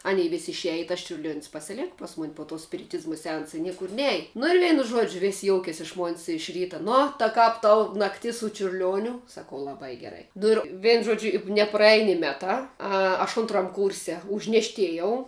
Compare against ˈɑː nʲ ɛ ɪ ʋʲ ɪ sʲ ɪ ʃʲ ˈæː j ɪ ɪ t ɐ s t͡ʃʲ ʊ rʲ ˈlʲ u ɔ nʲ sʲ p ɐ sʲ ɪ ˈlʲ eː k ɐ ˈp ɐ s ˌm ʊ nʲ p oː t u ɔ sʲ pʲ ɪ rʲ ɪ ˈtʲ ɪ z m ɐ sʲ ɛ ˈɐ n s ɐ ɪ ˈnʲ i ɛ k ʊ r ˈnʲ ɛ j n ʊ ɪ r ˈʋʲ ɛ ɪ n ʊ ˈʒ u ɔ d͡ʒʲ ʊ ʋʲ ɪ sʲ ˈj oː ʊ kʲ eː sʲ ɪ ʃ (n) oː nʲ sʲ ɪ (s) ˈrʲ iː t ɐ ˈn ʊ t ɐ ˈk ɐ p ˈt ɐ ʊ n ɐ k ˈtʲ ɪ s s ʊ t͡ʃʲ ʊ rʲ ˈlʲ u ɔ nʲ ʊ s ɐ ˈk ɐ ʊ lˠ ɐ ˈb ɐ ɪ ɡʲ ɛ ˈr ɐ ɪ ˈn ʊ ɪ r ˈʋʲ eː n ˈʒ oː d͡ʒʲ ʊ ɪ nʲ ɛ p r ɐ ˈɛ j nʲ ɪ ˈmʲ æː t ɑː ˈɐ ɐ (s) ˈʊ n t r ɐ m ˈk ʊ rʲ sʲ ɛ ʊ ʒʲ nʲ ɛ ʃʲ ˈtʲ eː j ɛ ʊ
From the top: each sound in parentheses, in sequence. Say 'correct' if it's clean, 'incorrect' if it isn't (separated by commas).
incorrect, incorrect, incorrect